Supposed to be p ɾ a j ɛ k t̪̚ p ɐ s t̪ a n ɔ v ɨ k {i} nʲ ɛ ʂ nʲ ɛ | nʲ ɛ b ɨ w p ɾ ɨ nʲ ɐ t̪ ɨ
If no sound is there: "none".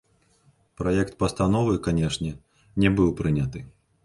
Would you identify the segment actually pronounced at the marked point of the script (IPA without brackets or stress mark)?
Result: a